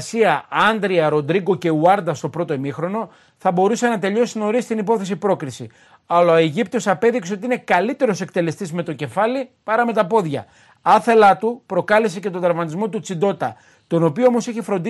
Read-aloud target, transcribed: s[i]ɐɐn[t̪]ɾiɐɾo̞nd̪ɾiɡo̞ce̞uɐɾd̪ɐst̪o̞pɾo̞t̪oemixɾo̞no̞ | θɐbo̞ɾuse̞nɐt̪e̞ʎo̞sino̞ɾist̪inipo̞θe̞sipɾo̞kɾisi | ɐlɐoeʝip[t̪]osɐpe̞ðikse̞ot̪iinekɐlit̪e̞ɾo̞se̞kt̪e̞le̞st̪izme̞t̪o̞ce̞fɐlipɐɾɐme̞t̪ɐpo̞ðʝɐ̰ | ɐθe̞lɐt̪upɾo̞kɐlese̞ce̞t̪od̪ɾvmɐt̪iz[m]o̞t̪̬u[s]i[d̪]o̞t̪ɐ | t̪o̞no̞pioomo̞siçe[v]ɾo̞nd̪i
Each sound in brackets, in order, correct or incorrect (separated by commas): correct, incorrect, correct, correct, incorrect, correct, incorrect